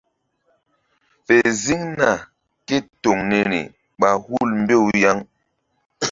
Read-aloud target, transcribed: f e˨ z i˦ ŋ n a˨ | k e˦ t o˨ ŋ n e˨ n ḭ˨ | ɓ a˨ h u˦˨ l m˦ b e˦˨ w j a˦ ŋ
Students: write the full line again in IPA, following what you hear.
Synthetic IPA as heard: f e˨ z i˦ ŋ n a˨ | k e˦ t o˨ ŋ n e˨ n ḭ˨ | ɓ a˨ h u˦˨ l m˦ b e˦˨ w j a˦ ŋ

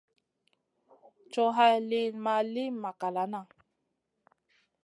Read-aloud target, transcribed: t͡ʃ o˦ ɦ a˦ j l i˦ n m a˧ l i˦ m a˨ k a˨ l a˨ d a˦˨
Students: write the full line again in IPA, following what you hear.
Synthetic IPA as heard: t͡ʃ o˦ ɦ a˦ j l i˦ n m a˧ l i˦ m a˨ k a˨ l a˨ n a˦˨

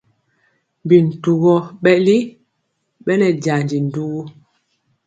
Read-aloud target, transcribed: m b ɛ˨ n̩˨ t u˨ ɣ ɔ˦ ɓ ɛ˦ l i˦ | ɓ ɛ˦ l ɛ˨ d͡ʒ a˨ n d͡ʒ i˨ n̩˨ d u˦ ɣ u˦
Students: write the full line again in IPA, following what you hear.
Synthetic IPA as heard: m b i˨ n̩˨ t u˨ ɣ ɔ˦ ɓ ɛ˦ l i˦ | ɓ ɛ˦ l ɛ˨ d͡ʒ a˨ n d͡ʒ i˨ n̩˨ d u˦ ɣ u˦

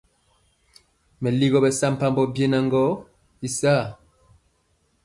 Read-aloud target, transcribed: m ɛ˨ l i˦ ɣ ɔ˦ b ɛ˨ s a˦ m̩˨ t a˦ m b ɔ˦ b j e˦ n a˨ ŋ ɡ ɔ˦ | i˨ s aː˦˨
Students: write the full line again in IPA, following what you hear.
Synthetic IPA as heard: m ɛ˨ l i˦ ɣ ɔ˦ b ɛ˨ s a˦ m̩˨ p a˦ m b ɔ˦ b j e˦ n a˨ ŋ ɡ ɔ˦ | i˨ s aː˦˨

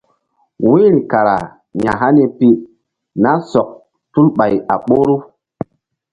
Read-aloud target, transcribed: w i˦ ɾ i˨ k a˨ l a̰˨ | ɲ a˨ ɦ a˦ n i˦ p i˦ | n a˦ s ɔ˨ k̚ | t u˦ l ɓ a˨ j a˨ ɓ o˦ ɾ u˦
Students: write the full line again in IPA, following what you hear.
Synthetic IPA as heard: w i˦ ɾ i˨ k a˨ ɾ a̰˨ | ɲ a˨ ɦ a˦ n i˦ p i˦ | n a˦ s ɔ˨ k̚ | t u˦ l ɓ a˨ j a˨ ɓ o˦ ɾ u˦

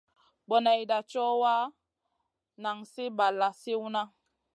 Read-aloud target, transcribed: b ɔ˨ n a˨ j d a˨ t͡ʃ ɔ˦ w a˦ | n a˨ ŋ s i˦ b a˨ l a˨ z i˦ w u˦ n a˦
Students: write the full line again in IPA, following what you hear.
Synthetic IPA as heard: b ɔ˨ n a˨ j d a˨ t͡ʃ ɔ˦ w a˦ | n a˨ ŋ s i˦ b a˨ l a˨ s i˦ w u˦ n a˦

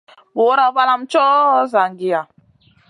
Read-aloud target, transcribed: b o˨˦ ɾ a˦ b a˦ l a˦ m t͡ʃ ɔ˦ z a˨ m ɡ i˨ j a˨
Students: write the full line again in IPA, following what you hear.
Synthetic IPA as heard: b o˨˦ ɾ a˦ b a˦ l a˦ m t͡ʃ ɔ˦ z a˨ ŋ ɡ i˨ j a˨

